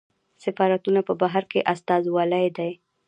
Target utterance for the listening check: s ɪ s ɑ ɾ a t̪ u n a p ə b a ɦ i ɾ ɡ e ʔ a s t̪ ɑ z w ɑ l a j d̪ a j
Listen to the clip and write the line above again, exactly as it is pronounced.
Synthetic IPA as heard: s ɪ f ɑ ɾ a t̪ u n a p ə b a ɦ a ɾ k e ʔ a s t̪ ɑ z w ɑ l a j d̪ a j